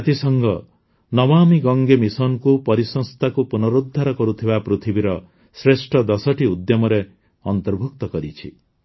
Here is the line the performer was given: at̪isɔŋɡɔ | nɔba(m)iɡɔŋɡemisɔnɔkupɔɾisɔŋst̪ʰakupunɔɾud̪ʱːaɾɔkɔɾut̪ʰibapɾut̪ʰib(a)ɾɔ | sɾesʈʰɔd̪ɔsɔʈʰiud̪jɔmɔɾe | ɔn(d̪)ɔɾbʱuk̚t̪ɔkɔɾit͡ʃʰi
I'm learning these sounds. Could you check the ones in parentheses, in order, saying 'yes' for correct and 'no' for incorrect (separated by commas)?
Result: yes, no, no